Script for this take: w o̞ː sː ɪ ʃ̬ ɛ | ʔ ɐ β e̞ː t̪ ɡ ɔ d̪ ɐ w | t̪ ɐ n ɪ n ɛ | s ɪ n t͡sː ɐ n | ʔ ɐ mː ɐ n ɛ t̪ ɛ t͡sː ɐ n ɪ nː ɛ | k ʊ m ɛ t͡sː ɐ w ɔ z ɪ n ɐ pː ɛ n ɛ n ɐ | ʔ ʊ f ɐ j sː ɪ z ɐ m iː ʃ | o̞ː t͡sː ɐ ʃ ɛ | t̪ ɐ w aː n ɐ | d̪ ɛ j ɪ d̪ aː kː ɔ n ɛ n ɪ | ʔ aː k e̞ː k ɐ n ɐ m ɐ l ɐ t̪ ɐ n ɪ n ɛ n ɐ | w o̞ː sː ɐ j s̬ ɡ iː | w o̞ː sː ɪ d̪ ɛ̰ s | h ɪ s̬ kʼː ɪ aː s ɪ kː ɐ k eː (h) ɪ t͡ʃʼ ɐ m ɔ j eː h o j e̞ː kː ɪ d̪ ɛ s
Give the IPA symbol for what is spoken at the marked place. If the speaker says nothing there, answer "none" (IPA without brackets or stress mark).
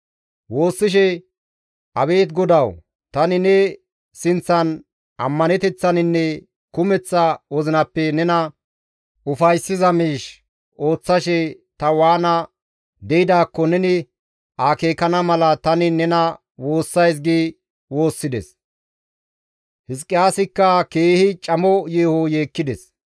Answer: h